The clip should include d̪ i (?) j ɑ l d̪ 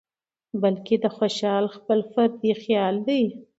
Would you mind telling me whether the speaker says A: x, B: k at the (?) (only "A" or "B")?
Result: A